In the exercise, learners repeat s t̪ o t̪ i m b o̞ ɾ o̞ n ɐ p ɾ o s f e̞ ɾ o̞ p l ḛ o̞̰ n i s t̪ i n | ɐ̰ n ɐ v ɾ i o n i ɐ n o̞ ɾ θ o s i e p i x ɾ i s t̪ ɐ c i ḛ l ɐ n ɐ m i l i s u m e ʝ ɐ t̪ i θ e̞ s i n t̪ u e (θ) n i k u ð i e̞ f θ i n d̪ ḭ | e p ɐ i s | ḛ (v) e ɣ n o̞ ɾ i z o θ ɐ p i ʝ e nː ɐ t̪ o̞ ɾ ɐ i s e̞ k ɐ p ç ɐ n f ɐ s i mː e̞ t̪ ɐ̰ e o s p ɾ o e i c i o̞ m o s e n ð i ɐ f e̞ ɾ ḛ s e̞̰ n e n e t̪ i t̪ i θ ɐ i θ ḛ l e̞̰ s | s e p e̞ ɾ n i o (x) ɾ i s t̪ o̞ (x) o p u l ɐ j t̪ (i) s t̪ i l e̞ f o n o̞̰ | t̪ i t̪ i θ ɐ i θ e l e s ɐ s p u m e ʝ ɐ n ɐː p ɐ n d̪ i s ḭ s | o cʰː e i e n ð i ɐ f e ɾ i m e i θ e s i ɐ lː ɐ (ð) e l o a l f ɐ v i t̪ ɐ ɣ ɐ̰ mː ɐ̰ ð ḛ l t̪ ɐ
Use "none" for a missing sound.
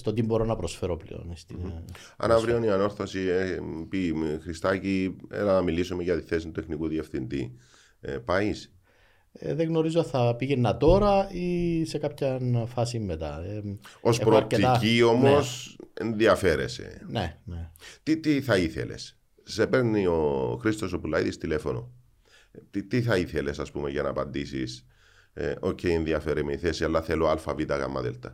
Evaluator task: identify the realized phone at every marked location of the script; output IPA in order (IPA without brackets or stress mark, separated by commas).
x, ð, x, s, i, θ